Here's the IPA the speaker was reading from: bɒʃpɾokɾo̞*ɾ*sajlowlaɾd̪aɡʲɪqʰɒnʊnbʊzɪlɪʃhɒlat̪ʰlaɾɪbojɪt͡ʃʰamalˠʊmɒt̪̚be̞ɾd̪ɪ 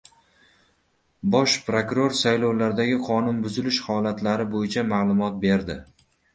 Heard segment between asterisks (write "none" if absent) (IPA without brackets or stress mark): ɾ